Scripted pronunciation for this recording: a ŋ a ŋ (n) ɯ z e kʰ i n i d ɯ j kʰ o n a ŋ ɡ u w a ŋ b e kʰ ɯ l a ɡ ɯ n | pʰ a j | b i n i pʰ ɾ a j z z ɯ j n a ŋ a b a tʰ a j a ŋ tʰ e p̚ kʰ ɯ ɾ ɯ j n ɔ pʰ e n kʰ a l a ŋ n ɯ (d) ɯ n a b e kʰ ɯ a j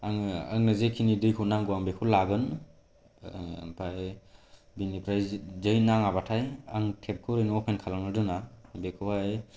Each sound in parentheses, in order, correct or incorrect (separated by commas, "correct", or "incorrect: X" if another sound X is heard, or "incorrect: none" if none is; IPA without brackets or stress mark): correct, correct